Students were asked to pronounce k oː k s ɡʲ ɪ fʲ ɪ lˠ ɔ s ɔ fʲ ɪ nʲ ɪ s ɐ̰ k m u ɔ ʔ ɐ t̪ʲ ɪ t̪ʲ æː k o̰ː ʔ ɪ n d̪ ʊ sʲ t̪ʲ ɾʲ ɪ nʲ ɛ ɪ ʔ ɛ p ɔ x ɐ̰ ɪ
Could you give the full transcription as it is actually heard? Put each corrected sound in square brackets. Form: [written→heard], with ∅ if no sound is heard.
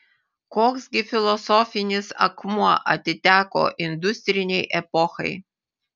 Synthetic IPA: k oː k s ɡʲ ɪ fʲ ɪ lˠ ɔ s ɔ fʲ ɪ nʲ ɪ s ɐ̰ k m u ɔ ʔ ɐ t̪ʲ ɪ t̪ʲ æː k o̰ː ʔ ɪ n d̪ ʊ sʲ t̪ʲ ɾʲ ɪ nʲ ɛ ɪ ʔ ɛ p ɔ x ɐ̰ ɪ